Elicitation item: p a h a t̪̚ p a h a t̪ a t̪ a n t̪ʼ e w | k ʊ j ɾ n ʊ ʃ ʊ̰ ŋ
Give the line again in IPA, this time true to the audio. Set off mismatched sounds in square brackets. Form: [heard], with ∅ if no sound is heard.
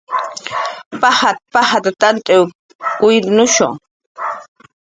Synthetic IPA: p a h a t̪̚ p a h a t̪ a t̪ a n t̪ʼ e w | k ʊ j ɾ n ʊ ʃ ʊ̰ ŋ

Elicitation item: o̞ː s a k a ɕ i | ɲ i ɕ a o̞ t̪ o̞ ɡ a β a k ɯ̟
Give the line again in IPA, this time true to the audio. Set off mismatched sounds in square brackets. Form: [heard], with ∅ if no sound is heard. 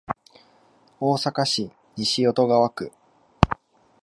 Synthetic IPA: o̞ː s a k a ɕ i | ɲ i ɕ [i] o̞ t̪ o̞ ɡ a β a k ɯ̟

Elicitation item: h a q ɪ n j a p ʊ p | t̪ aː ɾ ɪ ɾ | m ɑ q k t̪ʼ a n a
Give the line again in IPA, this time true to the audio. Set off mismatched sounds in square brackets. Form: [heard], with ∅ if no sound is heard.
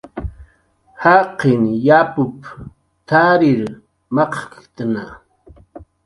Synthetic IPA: h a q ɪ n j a p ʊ p | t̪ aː ɾ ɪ ɾ | m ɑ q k [t̪] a n a

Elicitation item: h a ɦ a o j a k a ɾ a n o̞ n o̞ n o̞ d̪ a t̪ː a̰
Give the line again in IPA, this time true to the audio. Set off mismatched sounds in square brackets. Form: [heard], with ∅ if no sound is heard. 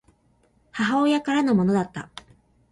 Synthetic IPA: h a ɦ a o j a k a ɾ a n o̞ [m] o̞ n o̞ d̪ a t̪ː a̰

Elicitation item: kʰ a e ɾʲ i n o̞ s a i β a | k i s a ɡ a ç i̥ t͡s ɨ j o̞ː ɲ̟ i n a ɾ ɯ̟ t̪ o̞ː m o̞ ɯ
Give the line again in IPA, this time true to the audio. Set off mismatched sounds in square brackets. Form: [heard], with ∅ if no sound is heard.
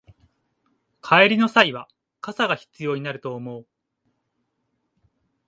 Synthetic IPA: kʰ a e ɾʲ i n o̞ s a i β a | k [a] s a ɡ a ç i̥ t͡s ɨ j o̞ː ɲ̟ i n a ɾ ɯ̟ t̪ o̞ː m o̞ ɯ

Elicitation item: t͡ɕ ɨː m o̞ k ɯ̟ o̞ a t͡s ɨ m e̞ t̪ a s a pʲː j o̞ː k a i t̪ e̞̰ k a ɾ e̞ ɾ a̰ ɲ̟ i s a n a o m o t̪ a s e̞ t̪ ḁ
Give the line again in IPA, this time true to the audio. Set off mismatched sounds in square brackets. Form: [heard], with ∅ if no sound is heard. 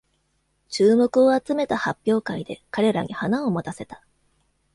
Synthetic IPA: t͡ɕ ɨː m o̞ k ɯ̟ o̞ a t͡s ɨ m e̞ t̪ a [h] a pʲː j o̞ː k a i [d̪] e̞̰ k a ɾ e̞ ɾ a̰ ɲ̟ i [h] a n a o m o t̪ a s e̞ t̪ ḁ

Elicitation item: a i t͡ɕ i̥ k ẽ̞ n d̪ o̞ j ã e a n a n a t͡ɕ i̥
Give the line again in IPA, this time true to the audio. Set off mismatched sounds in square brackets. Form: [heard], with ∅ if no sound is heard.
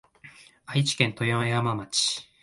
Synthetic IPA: a i t͡ɕ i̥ k ẽ̞ n [t̪] o̞ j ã e a [m] a [m] a t͡ɕ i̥

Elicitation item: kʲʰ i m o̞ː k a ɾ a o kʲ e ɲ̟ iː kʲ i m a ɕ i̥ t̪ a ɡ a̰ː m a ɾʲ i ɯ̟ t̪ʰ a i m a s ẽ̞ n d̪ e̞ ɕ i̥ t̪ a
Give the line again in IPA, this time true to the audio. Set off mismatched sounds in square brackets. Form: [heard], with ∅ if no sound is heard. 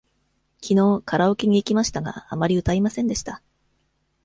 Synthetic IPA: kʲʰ i [n] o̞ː k a ɾ a o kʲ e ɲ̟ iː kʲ i m a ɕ i̥ t̪ a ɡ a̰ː m a ɾʲ i ɯ̟ [t̪] a i m a s ẽ̞ n d̪ e̞ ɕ i̥ t̪ a

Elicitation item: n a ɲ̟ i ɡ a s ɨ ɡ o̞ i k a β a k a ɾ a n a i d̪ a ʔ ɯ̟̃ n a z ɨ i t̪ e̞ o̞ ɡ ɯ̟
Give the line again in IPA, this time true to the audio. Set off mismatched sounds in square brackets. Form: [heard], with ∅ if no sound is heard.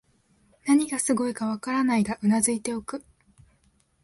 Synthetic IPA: n a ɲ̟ i ɡ a s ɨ ɡ o̞ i k a β a k a ɾ a n a i d̪ a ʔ [ɯ̟] n a z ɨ i t̪ e̞ o̞ [k] ɯ̟

